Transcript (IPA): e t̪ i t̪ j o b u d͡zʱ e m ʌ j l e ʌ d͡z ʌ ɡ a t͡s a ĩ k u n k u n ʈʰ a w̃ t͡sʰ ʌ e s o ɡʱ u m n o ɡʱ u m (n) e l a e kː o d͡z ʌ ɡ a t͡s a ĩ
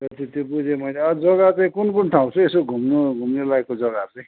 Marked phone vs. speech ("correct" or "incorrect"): correct